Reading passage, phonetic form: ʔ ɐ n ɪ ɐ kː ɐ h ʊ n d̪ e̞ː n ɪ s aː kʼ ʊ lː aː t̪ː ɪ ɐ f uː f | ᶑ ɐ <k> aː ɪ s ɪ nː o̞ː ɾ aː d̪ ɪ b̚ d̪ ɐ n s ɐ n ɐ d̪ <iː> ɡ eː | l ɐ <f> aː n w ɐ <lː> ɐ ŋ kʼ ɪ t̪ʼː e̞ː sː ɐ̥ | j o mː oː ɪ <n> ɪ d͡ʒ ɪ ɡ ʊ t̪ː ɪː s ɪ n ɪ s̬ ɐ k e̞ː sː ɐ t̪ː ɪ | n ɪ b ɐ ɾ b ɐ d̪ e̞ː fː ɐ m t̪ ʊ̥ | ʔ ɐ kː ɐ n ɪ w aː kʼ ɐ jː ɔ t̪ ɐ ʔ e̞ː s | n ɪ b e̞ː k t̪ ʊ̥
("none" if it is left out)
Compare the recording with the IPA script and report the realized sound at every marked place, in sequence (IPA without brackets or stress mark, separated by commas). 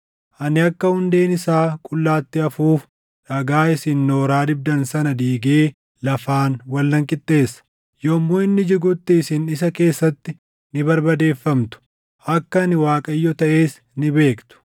ɡ, iː, f, lː, nː